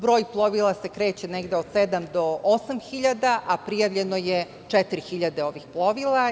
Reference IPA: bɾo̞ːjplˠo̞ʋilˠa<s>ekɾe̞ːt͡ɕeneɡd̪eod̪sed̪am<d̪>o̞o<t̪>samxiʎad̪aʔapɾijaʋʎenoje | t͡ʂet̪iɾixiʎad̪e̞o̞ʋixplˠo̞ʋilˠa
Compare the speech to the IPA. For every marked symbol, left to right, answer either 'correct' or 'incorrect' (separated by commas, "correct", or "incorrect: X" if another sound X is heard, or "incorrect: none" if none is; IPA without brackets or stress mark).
correct, correct, incorrect: none